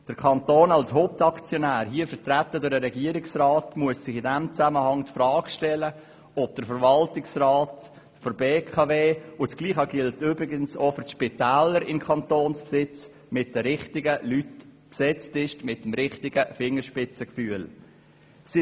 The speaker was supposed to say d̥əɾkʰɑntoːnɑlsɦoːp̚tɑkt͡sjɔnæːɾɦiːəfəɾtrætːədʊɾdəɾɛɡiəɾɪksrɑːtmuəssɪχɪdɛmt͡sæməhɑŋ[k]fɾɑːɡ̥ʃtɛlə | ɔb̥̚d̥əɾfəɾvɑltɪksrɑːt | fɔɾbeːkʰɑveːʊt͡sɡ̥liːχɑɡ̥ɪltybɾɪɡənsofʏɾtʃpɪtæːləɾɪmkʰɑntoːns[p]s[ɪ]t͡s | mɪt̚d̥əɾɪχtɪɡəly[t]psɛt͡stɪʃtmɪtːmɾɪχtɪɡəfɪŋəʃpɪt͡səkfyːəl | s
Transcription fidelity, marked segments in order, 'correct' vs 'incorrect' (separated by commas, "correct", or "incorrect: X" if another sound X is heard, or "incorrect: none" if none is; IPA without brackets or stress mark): incorrect: t, correct, correct, correct